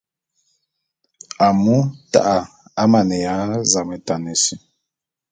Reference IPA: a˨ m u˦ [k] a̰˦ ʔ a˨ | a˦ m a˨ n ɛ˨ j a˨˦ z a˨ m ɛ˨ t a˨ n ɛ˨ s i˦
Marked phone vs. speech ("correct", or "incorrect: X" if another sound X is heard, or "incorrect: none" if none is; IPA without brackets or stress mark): incorrect: t